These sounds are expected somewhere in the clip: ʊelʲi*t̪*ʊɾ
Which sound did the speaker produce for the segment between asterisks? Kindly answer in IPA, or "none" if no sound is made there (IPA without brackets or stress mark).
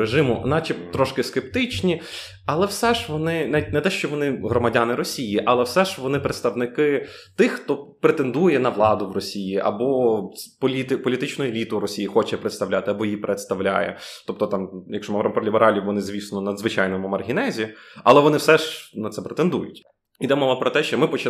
t̪